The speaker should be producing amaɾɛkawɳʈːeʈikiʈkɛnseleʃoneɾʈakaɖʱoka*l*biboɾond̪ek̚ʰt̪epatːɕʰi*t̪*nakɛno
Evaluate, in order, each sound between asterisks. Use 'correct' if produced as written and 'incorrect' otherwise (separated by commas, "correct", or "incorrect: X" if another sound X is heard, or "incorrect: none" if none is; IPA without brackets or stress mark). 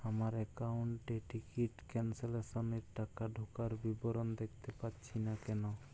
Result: incorrect: ɾ, incorrect: none